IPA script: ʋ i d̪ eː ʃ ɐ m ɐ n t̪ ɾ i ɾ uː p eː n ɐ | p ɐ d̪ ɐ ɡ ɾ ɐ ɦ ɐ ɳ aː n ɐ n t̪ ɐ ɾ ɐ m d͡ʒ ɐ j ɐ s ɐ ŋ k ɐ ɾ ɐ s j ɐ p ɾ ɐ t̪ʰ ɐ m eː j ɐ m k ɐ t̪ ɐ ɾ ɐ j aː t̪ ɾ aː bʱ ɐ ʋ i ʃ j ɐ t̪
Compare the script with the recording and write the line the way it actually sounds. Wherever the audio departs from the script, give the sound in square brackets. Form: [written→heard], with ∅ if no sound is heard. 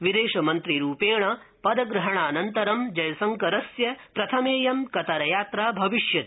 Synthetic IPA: ʋ i d̪ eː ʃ ɐ m ɐ n t̪ ɾ i ɾ uː p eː [n→ɳ] ɐ | p ɐ d̪ ɐ ɡ ɾ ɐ ɦ ɐ ɳ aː n ɐ n t̪ ɐ ɾ ɐ m d͡ʒ ɐ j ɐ s ɐ ŋ k ɐ ɾ ɐ s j ɐ p ɾ ɐ t̪ʰ ɐ m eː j ɐ m k ɐ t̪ ɐ ɾ ɐ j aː t̪ ɾ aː bʱ ɐ ʋ i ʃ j ɐ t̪